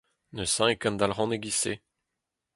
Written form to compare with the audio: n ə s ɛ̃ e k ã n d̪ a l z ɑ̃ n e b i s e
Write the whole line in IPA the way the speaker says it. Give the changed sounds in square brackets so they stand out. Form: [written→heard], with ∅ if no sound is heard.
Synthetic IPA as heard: n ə s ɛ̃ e k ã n d̪ a l [z→ʁ] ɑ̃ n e [b→ɡ] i s e